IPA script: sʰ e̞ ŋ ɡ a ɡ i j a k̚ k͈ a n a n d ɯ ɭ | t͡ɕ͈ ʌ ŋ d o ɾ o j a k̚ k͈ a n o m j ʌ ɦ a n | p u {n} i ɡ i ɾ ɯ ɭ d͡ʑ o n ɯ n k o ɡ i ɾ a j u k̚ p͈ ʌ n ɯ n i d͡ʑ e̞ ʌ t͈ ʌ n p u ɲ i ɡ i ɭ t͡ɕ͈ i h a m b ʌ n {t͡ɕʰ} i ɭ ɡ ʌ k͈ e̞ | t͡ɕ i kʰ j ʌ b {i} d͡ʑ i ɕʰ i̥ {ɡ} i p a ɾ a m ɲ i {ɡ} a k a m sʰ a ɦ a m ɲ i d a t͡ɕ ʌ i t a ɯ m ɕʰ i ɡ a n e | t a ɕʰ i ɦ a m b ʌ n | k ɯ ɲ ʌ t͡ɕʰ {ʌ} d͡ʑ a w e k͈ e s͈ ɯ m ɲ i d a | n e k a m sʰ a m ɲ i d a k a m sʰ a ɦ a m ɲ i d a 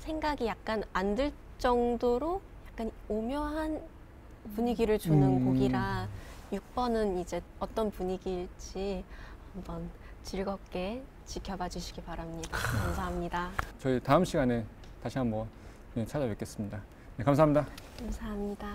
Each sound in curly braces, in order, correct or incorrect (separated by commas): incorrect, incorrect, incorrect, correct, incorrect, incorrect